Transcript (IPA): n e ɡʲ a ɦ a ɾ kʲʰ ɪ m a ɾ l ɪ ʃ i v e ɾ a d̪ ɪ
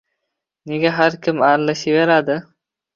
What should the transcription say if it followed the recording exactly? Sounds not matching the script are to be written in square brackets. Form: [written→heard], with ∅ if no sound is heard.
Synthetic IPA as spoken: n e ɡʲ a ɦ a ɾ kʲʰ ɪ m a ɾ l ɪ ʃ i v e ɾ a d̪ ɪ